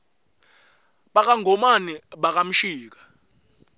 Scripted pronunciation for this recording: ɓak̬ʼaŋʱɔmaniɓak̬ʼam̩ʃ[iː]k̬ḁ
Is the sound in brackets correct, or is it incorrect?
correct